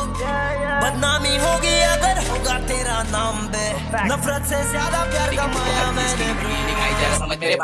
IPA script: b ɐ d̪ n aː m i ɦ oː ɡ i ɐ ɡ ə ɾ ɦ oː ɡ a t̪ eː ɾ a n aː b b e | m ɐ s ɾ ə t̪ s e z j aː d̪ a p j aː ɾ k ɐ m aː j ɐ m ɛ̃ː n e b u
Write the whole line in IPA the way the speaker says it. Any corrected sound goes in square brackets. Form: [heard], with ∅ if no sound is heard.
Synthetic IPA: b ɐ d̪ n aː m i ɦ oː ɡ i ɐ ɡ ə ɾ ɦ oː ɡ a t̪ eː ɾ a n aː [m] b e | [n] ɐ [f] ɾ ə t̪ s e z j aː d̪ a p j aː ɾ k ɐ m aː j [a] m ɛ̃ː n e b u